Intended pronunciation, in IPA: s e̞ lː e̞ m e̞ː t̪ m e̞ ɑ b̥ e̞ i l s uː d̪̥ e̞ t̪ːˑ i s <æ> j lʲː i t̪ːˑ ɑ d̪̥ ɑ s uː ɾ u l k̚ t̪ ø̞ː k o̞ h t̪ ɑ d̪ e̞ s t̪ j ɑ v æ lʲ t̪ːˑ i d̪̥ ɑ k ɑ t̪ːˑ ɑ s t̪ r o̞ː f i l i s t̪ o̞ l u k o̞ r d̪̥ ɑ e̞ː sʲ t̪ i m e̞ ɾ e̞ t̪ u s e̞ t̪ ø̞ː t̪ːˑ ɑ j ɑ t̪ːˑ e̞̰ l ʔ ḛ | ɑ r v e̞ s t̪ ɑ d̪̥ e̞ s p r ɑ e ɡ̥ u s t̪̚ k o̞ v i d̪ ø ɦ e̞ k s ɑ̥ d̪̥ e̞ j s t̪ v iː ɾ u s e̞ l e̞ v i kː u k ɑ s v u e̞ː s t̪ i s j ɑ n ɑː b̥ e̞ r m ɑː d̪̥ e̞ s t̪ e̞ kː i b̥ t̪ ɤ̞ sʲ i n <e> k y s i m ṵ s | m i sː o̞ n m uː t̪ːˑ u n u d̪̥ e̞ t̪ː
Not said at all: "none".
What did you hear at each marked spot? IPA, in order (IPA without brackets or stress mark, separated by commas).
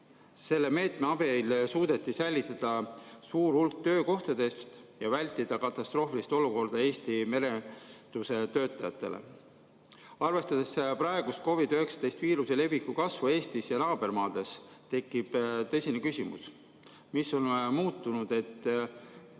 æ, e